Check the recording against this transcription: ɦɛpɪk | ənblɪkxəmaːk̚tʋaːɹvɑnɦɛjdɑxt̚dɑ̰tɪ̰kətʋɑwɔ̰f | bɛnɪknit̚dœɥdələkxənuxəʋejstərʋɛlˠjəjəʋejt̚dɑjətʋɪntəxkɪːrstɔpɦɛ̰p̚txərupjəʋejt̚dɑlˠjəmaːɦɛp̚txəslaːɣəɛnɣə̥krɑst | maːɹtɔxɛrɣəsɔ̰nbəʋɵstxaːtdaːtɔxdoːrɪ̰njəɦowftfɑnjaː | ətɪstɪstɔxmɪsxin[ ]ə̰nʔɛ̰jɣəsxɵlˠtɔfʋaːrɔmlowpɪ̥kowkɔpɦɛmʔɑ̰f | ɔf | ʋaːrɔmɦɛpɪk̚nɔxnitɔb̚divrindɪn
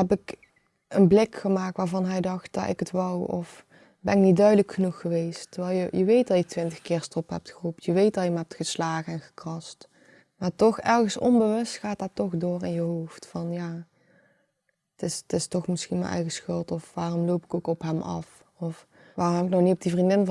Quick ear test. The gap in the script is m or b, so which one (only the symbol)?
m